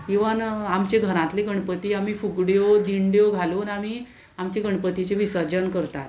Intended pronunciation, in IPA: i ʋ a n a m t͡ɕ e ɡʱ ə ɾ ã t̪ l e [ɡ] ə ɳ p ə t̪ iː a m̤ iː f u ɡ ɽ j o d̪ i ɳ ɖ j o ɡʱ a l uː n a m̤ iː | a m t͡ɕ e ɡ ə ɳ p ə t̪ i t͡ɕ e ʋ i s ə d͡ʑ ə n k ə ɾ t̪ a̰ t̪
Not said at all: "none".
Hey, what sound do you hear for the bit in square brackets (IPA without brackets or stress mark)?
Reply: ɡ